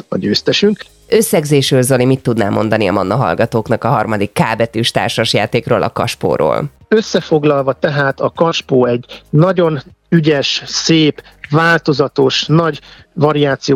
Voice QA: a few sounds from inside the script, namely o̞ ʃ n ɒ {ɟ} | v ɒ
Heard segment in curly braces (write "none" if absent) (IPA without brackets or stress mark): ɟ